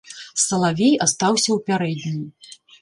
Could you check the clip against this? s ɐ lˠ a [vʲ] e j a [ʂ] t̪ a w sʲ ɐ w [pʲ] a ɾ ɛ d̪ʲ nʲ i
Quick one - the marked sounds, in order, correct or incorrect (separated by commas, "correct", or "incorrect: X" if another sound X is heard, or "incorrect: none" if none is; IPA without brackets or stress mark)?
correct, incorrect: s, correct